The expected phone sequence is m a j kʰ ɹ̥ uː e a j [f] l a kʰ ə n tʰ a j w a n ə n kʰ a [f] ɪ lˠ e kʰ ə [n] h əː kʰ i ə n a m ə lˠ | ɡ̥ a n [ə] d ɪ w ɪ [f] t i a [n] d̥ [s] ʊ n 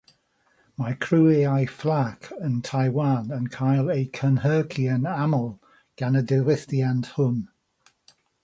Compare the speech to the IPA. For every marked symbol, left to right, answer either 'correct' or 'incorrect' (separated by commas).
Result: correct, incorrect, correct, correct, incorrect, correct, incorrect